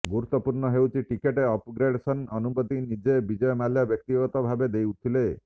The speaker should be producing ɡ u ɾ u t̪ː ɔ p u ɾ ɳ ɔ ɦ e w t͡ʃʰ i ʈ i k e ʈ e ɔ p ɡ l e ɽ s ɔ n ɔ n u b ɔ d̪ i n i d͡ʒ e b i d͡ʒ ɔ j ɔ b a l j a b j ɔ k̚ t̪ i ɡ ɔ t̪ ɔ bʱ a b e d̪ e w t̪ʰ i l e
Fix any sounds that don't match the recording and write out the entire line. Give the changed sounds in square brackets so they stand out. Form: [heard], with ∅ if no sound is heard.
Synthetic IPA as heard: ɡ u ɾ u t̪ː ɔ p u ɾ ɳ ɔ ɦ e w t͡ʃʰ i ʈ i k e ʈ e ɔ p ɡ [ɾ] e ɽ s ɔ n ɔ n u b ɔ d̪ i n i d͡ʒ e b i d͡ʒ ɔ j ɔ [m] a l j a b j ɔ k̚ t̪ i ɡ ɔ t̪ ɔ bʱ a b e d̪ e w t̪ʰ i l e

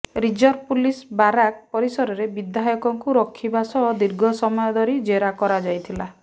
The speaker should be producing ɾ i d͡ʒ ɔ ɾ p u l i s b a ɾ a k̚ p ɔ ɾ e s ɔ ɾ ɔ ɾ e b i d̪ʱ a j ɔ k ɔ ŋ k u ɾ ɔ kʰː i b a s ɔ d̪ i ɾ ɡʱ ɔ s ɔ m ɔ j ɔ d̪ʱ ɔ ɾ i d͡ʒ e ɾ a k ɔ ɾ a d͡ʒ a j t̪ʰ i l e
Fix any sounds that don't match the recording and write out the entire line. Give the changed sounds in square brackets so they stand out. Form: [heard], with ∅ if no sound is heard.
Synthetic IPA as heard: ɾ i d͡ʒ ɔ ɾ p u l i s b a ɾ a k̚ p ɔ ɾ [i] s ɔ ɾ ɔ ɾ e b i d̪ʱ a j ɔ k ɔ ŋ k u ɾ ɔ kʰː i b a s ɔ d̪ i ɾ ɡʱ ɔ s ɔ m ɔ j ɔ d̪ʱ ɔ ɾ i d͡ʒ e ɾ a k ɔ ɾ a d͡ʒ a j t̪ʰ i l [a]

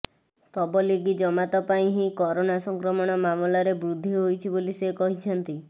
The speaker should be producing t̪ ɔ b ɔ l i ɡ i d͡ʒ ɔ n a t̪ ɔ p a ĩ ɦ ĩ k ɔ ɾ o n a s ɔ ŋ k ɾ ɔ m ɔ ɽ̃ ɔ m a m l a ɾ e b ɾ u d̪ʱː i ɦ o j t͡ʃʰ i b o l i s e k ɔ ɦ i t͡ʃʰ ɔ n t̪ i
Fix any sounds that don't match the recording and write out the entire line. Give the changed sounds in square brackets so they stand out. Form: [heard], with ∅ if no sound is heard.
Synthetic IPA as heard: t̪ ɔ b ɔ l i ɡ i d͡ʒ ɔ [m] a t̪ ɔ p a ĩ ɦ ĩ k ɔ ɾ o n a s ɔ ŋ k ɾ ɔ m ɔ ɽ̃ ɔ m a m l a ɾ e b ɾ u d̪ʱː i ɦ o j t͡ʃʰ i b o l i s e k ɔ ɦ i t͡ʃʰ ɔ n t̪ i

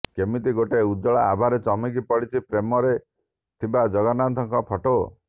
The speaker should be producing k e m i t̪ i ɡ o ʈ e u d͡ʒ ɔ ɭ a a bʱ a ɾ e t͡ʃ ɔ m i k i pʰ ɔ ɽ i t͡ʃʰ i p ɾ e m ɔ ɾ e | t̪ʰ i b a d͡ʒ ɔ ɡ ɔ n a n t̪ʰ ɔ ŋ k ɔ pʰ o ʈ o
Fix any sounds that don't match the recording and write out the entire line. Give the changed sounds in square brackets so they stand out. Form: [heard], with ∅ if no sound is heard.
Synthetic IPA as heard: k e m i t̪ i ɡ o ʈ e u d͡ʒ ɔ ɭ a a bʱ a ɾ e t͡ʃ ɔ m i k i [p] ɔ ɽ i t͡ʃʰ i p ɾ e m ɔ ɾ e | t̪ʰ i b a d͡ʒ ɔ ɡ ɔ n a n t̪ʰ ɔ ŋ k ɔ pʰ [ɔ] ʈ o

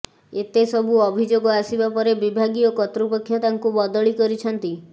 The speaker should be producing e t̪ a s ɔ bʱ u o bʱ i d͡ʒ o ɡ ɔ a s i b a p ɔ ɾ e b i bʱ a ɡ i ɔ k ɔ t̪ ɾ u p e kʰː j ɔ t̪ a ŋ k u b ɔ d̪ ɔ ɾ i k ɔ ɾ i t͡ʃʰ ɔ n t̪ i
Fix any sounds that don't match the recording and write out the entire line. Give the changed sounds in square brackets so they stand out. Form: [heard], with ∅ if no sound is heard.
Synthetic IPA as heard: e t̪ [e] s ɔ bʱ u [ɔ] bʱ i d͡ʒ o ɡ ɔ a s i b a p ɔ ɾ e b i bʱ a ɡ i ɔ k ɔ t̪ ɾ u p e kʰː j ɔ t̪ a ŋ k u b ɔ d̪ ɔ [ɭ] i k ɔ ɾ i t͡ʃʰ ɔ n t̪ i

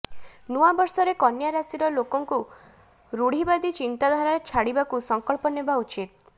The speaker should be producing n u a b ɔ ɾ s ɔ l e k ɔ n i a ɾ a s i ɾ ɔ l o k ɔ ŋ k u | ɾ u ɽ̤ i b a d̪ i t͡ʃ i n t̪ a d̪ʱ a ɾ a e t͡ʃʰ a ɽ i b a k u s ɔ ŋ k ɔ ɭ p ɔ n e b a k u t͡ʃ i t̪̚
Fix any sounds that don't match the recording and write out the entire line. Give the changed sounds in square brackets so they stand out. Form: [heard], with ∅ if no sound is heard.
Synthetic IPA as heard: n u a b ɔ ɾ s ɔ [ɾ] e k ɔ n [j] a ɾ a s i ɾ ɔ l o k ɔ ŋ k u | ɾ u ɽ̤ i b a d̪ i t͡ʃ i n t̪ a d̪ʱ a ɾ a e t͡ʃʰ a ɽ i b a k u s ɔ ŋ k ɔ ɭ p ɔ n e b a [∅] u t͡ʃ i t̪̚

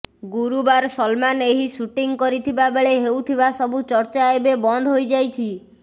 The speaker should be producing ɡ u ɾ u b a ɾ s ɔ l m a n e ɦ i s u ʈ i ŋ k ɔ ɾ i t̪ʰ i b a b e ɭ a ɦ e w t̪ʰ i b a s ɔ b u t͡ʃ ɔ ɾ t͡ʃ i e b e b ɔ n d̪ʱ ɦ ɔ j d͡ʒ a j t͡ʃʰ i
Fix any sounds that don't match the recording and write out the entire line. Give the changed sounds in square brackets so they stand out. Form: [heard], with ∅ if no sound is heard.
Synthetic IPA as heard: ɡ u ɾ u b a ɾ s ɔ l m a n e ɦ i s u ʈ i ŋ k ɔ ɾ i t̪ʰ i b a b e ɭ [e] ɦ e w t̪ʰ i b a s ɔ b u t͡ʃ ɔ ɾ t͡ʃ [a] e b e b ɔ n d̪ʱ ɦ [o] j d͡ʒ a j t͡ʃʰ i

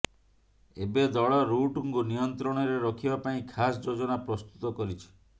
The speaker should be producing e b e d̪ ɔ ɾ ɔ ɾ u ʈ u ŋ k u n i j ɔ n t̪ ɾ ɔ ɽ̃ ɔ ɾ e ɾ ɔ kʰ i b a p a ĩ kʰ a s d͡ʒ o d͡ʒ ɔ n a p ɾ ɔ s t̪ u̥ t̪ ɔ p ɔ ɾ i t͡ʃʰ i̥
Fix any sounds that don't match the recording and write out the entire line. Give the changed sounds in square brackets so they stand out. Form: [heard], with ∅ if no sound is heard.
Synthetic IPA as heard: e b e d̪ ɔ [ɭ] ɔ ɾ u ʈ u ŋ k u n i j ɔ n t̪ ɾ ɔ ɽ̃ ɔ ɾ e ɾ ɔ kʰ i b a p a ĩ kʰ a s d͡ʒ o d͡ʒ ɔ n a p ɾ ɔ s t̪ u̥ t̪ ɔ [k] ɔ ɾ i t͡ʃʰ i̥

